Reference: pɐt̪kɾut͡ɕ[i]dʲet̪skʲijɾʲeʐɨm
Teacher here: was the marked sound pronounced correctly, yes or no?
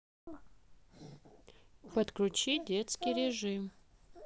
yes